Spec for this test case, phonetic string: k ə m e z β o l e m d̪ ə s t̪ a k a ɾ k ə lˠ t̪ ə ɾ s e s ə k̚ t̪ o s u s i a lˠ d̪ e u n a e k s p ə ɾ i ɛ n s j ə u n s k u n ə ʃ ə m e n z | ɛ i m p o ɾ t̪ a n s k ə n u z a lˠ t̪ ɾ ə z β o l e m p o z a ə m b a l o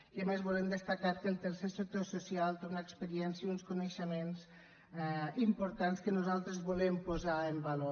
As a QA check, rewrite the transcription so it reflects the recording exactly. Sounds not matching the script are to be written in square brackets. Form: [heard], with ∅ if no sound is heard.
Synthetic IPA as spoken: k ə m e z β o l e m d̪ ə s t̪ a k a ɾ k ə lˠ t̪ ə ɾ s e s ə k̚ t̪ o s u s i a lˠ [t̪] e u n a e k s p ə ɾ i ɛ n s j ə u n s k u n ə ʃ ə m e n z | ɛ i m p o ɾ t̪ a n s k ə n u z a lˠ t̪ ɾ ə z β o l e m p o z a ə m b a l o